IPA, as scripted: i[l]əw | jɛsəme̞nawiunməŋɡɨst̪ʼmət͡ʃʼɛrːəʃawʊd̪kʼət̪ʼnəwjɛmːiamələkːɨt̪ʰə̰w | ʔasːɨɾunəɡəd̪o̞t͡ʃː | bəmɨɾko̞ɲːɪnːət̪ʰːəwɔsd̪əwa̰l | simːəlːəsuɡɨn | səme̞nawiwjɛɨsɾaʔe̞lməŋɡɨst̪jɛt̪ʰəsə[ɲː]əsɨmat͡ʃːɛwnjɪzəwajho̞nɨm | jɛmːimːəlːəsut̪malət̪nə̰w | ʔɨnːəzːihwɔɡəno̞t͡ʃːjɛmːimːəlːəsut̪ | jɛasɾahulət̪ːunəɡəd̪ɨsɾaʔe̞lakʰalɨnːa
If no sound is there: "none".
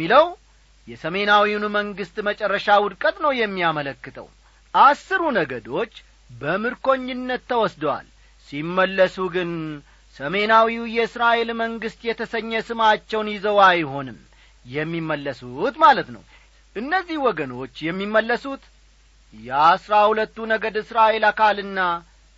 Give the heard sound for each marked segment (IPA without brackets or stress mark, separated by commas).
l, ɲː